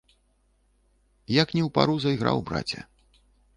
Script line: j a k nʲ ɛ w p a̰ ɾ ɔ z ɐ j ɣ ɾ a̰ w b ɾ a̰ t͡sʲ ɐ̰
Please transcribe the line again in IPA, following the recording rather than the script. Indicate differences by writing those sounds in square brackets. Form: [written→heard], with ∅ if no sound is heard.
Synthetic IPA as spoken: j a k nʲ ɛ w p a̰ ɾ [ɔ→u] z ɐ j ɣ ɾ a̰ w b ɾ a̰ t͡sʲ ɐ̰